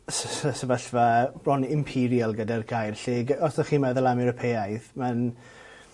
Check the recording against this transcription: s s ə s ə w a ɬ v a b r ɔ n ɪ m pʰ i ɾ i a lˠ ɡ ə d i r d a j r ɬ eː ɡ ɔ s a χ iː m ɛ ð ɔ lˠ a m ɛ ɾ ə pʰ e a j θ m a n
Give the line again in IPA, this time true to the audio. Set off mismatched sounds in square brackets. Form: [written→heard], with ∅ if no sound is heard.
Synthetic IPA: s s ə s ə [w→v] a ɬ v a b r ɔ n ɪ m pʰ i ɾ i a lˠ ɡ ə d [i→a] r [d→ɡ] a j r ɬ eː ɡ ɔ s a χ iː m ɛ ð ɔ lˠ a m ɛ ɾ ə pʰ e a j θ m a n